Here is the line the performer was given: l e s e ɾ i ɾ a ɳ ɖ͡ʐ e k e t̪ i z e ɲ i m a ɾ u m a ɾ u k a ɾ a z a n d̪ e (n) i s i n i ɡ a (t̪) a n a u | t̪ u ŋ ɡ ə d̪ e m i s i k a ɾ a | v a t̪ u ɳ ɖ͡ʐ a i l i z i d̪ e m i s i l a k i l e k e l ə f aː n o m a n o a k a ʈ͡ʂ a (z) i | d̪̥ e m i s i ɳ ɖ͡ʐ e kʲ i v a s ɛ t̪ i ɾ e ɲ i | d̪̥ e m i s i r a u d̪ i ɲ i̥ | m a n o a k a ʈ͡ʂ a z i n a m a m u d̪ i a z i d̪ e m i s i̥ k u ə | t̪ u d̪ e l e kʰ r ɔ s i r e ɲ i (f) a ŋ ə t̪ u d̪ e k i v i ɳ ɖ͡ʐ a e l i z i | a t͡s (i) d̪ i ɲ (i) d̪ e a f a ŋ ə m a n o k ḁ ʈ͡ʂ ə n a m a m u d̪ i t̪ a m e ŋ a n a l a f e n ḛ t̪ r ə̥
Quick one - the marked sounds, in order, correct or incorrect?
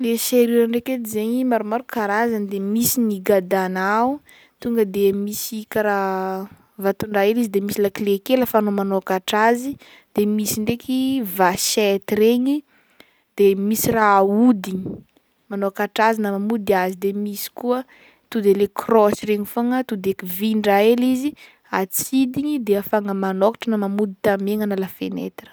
incorrect: m, incorrect: d̪, correct, correct, correct, correct

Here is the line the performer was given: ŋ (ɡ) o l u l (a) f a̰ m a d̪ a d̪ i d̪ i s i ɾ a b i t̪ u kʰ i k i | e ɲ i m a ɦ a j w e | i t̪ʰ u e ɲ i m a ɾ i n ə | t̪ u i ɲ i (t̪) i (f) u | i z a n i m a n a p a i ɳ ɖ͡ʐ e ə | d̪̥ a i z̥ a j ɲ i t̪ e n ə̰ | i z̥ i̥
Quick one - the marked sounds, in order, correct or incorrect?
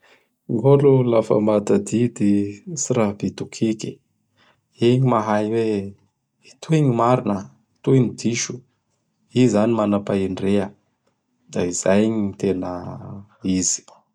correct, correct, incorrect: d̪, incorrect: ʃ

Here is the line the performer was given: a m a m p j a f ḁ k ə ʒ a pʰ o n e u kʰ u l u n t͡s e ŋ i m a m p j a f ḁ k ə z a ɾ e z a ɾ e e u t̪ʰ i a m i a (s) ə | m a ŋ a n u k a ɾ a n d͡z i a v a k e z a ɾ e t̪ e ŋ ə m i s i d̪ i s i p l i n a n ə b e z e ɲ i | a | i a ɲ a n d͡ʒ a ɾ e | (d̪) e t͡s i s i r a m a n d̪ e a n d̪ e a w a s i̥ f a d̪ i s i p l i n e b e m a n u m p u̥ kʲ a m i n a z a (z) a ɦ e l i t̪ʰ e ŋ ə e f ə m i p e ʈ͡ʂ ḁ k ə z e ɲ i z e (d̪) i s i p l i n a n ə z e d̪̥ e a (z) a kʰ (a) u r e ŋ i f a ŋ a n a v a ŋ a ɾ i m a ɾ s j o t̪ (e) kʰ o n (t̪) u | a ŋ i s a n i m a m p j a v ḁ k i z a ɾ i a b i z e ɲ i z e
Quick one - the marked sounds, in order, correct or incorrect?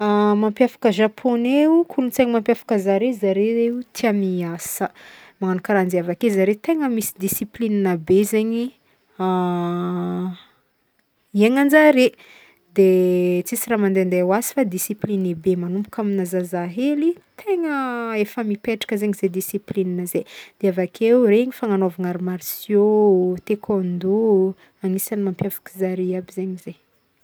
correct, correct, correct, correct, incorrect: v, incorrect: e, correct, incorrect: d̪

